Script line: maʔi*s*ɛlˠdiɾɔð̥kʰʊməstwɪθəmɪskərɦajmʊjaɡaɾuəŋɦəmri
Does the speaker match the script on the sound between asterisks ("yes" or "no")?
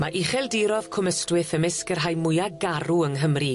no